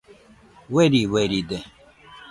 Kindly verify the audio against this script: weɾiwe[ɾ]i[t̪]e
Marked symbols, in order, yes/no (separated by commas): yes, no